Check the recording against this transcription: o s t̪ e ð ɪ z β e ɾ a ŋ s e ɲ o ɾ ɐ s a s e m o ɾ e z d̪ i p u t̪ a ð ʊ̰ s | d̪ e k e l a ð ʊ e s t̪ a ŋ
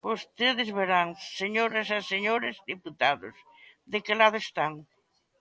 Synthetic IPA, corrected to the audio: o s t̪ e ð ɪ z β e ɾ a ŋ s e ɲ o ɾ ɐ s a s e ɲ o ɾ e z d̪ i p u t̪ a ð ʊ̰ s | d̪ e k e l a ð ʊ e s t̪ a ŋ

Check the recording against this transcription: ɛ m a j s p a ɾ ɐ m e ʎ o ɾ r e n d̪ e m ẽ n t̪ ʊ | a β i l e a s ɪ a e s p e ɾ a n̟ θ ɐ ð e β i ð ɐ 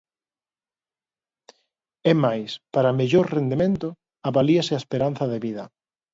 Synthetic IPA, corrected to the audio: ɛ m a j s p a ɾ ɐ m e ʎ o ɾ r e n d̪ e m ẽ n t̪ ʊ | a β a l i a s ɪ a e s p e ɾ a n̟ θ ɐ ð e β i ð ɐ

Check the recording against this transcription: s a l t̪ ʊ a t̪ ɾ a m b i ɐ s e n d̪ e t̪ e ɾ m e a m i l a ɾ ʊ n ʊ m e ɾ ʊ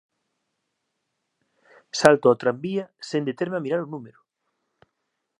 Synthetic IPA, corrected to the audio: s a l t̪ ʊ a t̪ ɾ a m b i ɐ s e n d̪ e t̪ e ɾ m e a m i ɾ a ɾ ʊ n u m e ɾ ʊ

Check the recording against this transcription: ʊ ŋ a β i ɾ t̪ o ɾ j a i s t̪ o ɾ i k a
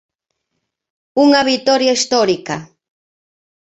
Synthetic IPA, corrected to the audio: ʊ ŋ a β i t̪ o ɾ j a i s t̪ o ɾ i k a

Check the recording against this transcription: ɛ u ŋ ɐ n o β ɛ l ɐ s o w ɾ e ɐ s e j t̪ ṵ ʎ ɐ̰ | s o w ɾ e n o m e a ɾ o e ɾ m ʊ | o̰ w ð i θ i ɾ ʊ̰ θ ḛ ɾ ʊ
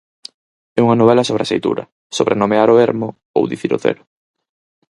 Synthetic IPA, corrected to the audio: ɛ u ŋ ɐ n o β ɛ l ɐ s o β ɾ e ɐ s e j t̪ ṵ ɾ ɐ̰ | s o β ɾ e n o m e a ɾ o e ɾ m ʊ | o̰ w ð i θ i ɾ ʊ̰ θ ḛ ɾ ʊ

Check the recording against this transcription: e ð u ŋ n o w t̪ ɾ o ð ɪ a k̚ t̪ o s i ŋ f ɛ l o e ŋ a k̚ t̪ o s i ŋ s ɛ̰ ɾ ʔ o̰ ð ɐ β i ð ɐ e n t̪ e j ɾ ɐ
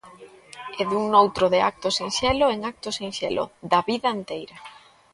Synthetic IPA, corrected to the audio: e ð u ŋ n o w t̪ ɾ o ð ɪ a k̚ t̪ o s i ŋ ʃ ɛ l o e ŋ a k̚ t̪ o s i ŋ ʃ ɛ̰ l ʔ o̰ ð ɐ β i ð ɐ e n t̪ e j ɾ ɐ

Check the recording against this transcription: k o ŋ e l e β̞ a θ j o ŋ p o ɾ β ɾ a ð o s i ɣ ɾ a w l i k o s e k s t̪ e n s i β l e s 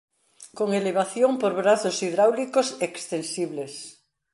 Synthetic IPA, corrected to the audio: k o ŋ e l e β̞ a θ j o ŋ p o ɾ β ɾ a θ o s i ð ɾ a w l i k o s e k s t̪ e n s i β l e s

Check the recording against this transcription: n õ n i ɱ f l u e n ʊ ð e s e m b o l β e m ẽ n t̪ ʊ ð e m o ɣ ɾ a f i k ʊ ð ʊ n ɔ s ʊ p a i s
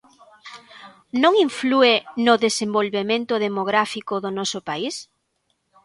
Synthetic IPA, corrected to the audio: n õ ŋ i ɱ f l u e n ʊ ð e s e m b o l β e m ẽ n t̪ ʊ ð e m o ɣ ɾ a f i k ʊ ð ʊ n ɔ s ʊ p a i s

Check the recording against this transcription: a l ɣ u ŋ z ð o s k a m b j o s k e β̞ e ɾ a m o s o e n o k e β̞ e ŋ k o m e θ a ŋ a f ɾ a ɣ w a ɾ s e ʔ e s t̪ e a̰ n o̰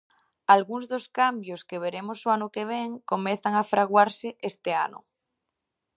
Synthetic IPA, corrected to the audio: a l ɣ u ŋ z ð o s k a m b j o s k e β̞ e ɾ e m o s o a n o k e β̞ e ŋ k o m e θ a ŋ a f ɾ a ɣ w a ɾ s e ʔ e s t̪ e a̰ n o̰

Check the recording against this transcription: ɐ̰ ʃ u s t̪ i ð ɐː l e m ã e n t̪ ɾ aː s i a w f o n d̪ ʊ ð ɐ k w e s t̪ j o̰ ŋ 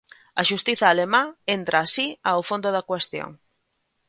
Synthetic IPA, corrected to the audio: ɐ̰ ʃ u s t̪ i θ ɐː l e m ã e n t̪ ɾ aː s i a w f o n d̪ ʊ ð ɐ k w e s t̪ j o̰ ŋ

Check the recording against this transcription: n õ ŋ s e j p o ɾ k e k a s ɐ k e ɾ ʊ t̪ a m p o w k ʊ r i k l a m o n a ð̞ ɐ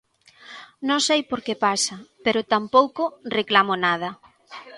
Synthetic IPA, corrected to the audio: n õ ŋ s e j p o ɾ k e p a s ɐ p e ɾ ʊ t̪ a m p o w k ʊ r e k l a m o n a ð̞ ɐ

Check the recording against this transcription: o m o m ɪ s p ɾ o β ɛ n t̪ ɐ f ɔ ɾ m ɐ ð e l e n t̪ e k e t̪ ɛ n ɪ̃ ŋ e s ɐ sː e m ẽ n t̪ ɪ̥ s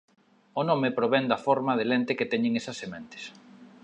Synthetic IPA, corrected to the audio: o n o m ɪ p ɾ o β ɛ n d̪ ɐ f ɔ ɾ m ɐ ð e l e n t̪ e k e t̪ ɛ ɲ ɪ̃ ŋ e s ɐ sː e m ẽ n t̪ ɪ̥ s

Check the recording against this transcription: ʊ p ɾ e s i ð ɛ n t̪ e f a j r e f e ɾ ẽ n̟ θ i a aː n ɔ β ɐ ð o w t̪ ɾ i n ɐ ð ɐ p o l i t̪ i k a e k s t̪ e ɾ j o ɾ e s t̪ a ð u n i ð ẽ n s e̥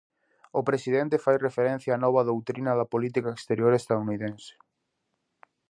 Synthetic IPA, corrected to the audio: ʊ p ɾ e s i ð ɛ n t̪ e f a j r e f e ɾ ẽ n̟ θ j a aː n ɔ β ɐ ð o w t̪ ɾ i n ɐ ð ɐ p o l i t̪ i k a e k s t̪ e ɾ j o ɾ e s t̪ a ð u n i ð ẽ n s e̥

